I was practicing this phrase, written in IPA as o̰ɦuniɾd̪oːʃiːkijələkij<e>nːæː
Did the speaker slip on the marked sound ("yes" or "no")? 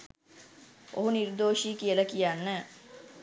yes